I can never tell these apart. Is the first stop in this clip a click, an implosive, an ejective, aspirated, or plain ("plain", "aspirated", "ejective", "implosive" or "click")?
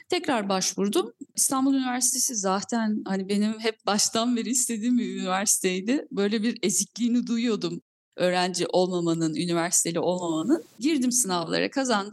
aspirated